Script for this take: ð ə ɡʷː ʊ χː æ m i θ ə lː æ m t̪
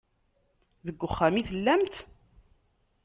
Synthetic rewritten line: ð ə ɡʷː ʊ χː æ m i θ ə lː æ m t̪